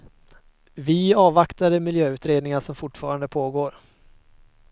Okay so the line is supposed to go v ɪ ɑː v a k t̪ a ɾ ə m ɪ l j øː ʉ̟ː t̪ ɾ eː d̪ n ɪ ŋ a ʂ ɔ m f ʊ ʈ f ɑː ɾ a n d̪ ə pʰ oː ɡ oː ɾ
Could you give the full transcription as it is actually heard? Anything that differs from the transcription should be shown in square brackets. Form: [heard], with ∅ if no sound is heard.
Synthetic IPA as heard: v ɪ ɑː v a k t̪ a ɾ ə m ɪ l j øː ʉ̟ː t̪ ɾ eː d̪ n ɪ ŋ a ʂ ɔ m f ʊ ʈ f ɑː ɾ a n d̪ ə pʰ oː ɡ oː ɾ